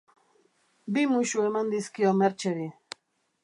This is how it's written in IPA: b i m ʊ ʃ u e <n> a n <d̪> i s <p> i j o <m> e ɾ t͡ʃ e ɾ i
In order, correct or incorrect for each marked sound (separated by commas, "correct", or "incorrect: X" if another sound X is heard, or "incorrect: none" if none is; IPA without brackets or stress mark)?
incorrect: m, correct, incorrect: k, correct